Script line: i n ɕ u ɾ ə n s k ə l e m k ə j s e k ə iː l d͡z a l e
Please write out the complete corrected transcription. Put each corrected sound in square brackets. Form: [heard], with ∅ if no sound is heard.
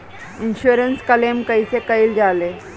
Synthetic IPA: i n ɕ u ɾ ə n s k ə l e m k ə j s e k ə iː l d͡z a l e